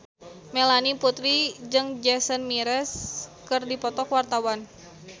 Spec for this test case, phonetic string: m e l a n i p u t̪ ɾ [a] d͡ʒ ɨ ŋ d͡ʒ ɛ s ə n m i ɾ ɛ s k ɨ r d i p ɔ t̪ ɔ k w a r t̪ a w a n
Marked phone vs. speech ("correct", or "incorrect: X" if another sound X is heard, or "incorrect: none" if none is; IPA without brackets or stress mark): incorrect: i